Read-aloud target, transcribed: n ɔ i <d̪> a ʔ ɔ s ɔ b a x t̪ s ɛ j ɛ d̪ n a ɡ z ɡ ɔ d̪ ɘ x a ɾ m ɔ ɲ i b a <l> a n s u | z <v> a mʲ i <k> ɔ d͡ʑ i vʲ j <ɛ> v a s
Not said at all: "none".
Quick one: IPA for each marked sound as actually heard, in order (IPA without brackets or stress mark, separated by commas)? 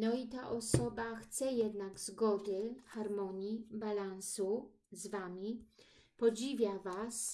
t̪, l, v, p, a